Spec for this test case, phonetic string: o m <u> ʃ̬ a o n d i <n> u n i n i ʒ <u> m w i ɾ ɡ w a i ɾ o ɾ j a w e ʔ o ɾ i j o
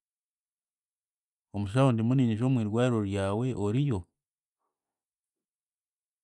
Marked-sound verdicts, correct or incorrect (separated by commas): correct, incorrect, incorrect